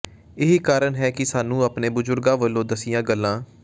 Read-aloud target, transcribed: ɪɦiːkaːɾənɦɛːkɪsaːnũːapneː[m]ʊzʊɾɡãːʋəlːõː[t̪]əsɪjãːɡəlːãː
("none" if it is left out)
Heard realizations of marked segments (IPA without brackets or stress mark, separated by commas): b, d̪